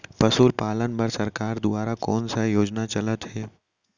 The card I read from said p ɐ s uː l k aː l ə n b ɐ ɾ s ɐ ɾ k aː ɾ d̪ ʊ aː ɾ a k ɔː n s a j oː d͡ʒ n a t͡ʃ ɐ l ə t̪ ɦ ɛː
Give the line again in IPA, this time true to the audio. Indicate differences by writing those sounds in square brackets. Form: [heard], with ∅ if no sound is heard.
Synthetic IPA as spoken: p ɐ s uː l [p] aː l ə n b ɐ ɾ s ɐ ɾ k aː ɾ d̪ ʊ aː ɾ a k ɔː n s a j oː d͡ʒ n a t͡ʃ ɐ l ə t̪ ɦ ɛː

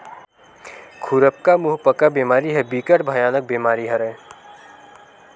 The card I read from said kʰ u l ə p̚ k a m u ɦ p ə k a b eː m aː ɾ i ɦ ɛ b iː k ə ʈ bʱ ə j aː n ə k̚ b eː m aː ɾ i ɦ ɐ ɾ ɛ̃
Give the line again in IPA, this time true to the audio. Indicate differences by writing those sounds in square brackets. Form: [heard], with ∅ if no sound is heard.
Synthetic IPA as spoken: kʰ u [ɾ] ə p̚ k a m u ɦ p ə k a b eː m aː ɾ i ɦ ɛ b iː k ə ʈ bʱ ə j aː n ə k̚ b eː m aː ɾ i ɦ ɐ ɾ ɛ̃

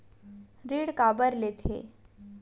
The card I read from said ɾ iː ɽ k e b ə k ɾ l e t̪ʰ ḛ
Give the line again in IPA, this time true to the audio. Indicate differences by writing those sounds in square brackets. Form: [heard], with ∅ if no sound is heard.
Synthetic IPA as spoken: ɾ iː ɽ k [a] b ə [∅] ɾ l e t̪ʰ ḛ

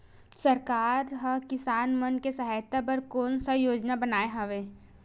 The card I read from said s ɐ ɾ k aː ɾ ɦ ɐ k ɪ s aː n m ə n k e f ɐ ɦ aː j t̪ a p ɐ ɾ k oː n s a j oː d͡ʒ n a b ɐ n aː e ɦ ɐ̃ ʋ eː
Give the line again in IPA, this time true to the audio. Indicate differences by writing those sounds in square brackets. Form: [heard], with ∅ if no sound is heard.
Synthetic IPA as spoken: s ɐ ɾ k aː ɾ ɦ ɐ k ɪ s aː n m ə n k e [s] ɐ ɦ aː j t̪ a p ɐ ɾ k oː n s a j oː d͡ʒ n a b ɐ n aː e ɦ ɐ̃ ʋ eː

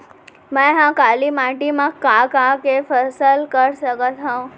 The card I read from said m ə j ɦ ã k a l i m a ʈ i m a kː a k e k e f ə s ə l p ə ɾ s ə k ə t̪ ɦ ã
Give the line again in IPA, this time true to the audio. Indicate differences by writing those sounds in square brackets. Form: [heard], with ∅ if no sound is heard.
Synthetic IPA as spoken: m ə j ɦ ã k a l i m a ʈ i m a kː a k [a] k e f ə s ə l [k] ə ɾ s ə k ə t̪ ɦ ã

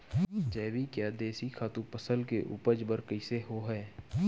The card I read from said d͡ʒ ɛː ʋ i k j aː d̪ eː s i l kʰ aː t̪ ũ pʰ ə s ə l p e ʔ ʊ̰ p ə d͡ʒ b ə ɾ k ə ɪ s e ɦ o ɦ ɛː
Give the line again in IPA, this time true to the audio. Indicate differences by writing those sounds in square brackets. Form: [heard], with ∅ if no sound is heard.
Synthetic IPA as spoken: d͡ʒ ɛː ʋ i k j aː d̪ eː s i [∅] kʰ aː t̪ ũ [p] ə s ə l [k] e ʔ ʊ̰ p ə d͡ʒ b ə ɾ k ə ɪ s e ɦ o ɦ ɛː

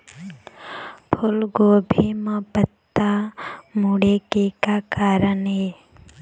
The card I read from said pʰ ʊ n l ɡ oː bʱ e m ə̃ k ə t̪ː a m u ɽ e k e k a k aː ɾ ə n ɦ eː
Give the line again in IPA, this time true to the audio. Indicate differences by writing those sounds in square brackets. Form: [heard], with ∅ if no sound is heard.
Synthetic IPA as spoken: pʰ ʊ [∅] l ɡ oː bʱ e m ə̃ [p] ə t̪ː a m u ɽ e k e k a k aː ɾ ə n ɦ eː

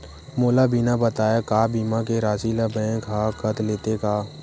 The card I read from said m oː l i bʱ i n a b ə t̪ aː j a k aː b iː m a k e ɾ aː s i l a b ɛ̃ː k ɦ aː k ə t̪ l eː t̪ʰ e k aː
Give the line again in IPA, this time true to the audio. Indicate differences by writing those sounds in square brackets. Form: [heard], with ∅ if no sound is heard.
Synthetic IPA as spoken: m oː l [a] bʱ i n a b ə t̪ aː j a k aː b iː m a k e ɾ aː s i l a b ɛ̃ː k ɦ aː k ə t̪ l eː [t̪] e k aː

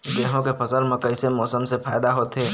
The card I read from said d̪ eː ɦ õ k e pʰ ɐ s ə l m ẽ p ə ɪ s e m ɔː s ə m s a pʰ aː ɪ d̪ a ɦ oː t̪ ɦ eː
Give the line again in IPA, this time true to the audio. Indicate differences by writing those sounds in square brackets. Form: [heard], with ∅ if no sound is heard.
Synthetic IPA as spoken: d̪ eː ɦ õ k e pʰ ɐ s ə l m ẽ [k] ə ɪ s e m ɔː s ə m s [e] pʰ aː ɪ d̪ a ɦ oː t̪ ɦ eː

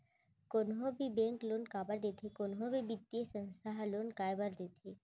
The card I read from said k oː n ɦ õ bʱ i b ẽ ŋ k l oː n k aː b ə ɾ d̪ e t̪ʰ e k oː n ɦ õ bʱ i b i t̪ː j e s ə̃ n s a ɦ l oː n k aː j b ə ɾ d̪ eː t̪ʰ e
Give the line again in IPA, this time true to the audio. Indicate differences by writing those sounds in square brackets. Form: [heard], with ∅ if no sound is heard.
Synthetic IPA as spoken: k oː n ɦ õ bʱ i b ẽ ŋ k l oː n k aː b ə ɾ d̪ e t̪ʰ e k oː n ɦ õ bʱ i b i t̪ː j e s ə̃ n s a ɦ l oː n k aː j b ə ɾ d̪ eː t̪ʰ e

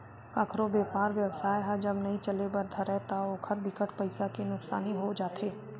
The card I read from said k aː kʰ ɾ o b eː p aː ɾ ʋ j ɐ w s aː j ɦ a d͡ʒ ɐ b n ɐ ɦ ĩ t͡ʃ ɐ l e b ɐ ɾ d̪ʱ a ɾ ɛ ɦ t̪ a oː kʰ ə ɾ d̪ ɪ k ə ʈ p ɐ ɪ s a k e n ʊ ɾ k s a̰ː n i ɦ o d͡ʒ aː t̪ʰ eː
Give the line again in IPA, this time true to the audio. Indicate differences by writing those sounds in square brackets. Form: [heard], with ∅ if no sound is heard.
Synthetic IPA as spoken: k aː kʰ ɾ o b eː p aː ɾ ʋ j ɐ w s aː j ɦ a d͡ʒ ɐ b n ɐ ɦ ĩ t͡ʃ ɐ l e b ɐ ɾ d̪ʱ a ɾ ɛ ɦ t̪ a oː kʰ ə ɾ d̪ ɪ k ə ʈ p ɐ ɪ s a k e n ʊ [∅] k s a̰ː n i ɦ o d͡ʒ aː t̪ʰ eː

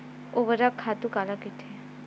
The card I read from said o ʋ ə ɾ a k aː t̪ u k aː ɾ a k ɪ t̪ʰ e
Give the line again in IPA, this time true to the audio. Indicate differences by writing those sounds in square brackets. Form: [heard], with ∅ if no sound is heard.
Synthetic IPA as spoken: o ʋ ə ɾ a [kʰ] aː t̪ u k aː [l] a k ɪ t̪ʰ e

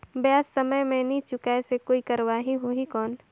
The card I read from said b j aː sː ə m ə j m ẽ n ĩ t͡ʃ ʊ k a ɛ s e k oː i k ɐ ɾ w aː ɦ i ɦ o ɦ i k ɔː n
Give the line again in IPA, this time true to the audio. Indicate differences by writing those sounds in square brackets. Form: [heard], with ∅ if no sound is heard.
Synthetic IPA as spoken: b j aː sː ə m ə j m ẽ n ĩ t͡ʃ ʊ k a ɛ s e k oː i k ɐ ɾ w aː ɦ i ɦ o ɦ i k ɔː n

